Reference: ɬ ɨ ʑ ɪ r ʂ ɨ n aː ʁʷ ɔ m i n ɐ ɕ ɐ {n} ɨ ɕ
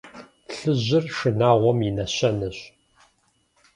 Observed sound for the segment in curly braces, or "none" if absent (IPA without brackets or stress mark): n